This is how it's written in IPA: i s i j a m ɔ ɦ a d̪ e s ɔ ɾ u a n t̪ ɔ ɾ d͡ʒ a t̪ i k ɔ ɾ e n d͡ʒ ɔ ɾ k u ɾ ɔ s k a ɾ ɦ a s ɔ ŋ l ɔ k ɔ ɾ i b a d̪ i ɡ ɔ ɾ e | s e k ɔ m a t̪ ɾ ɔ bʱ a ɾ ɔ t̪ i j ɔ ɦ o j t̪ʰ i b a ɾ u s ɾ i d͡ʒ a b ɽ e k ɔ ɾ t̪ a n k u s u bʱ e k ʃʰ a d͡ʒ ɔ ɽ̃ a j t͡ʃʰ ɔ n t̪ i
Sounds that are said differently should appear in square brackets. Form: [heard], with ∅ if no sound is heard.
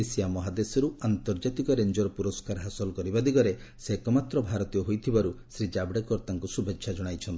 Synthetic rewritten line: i s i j a m ɔ ɦ a d̪ e s ɔ ɾ u a n t̪ ɔ ɾ d͡ʒ a t̪ i k ɔ ɾ e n d͡ʒ ɔ ɾ [p] u ɾ ɔ s k a ɾ ɦ a s ɔ [∅] l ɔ k ɔ ɾ i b a d̪ i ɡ ɔ ɾ e | s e k ɔ m a t̪ ɾ ɔ bʱ a ɾ ɔ t̪ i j ɔ ɦ o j t̪ʰ i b a ɾ u s ɾ i d͡ʒ a b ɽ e k ɔ ɾ t̪ a [ŋ] k u s u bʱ e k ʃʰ a d͡ʒ ɔ ɽ̃ a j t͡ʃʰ ɔ n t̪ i

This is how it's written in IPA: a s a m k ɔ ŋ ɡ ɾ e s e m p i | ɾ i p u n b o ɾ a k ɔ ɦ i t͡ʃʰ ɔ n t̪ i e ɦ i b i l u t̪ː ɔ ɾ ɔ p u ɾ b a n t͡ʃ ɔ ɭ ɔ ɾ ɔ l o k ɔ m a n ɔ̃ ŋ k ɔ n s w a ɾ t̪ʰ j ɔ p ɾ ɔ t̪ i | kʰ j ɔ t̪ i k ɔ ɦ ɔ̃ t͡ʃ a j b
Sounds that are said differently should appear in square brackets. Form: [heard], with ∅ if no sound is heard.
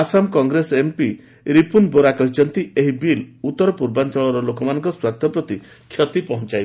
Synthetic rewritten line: a s a m k ɔ ŋ ɡ ɾ e s e m p i | ɾ i p u n b o ɾ a k ɔ ɦ i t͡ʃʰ ɔ n t̪ i e ɦ i b i l u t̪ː ɔ ɾ ɔ p u ɾ b a n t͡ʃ ɔ ɭ ɔ ɾ ɔ l o k ɔ m a n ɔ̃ ŋ k ɔ [∅] s w a ɾ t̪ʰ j ɔ p ɾ ɔ t̪ i | kʰ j ɔ t̪ i [p] ɔ ɦ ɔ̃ t͡ʃ a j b

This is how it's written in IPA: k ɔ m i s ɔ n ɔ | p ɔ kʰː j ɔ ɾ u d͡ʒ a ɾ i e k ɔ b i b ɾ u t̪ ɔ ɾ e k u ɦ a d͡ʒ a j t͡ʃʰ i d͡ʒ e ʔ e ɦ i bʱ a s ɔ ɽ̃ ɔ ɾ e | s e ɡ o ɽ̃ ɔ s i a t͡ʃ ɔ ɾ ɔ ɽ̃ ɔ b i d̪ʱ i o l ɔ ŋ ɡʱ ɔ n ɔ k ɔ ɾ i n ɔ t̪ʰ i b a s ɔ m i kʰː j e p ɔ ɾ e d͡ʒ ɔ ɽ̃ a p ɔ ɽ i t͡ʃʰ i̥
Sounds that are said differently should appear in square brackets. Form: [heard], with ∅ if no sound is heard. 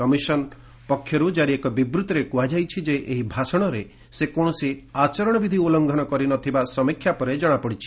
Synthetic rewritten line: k ɔ m i s ɔ n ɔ | p ɔ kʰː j ɔ ɾ u d͡ʒ a ɾ i e k ɔ b i b ɾ u t̪ ɔ ɾ e k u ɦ a d͡ʒ a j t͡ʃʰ i d͡ʒ e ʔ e ɦ i bʱ a s ɔ ɽ̃ ɔ ɾ e | s e [k] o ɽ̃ ɔ s i a t͡ʃ ɔ ɾ ɔ ɽ̃ ɔ b i d̪ʱ i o l ɔ ŋ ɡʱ ɔ n ɔ k ɔ ɾ i n ɔ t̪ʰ i b a s ɔ m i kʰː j [a] p ɔ ɾ e d͡ʒ ɔ ɽ̃ a p ɔ ɽ i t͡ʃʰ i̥

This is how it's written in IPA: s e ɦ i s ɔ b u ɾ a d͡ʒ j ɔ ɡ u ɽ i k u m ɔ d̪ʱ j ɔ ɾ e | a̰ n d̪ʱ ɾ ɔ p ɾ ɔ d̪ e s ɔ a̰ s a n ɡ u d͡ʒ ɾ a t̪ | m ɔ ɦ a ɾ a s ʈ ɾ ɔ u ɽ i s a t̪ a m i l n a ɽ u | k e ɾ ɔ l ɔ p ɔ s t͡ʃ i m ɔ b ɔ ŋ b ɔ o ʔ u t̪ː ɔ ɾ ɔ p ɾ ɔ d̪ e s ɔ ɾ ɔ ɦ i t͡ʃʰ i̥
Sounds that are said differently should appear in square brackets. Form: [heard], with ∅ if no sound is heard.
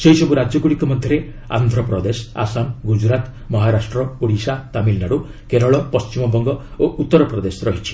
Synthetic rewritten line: s e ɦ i s ɔ b u ɾ a d͡ʒ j ɔ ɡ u ɽ i k [ɔ] m ɔ d̪ʱ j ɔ ɾ e | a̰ n d̪ʱ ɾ ɔ p ɾ ɔ d̪ e s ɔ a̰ s a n ɡ u d͡ʒ ɾ a t̪ | m ɔ ɦ a ɾ a s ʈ ɾ ɔ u ɽ i s a t̪ a m i l n a ɽ u | k e ɾ ɔ [ɭ] ɔ p ɔ s t͡ʃ i m ɔ b ɔ ŋ [ɡ] ɔ o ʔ u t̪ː ɔ ɾ ɔ p ɾ ɔ d̪ e s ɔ ɾ ɔ ɦ i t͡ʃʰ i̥

